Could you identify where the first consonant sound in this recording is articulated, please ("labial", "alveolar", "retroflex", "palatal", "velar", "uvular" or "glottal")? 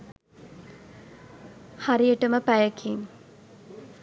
glottal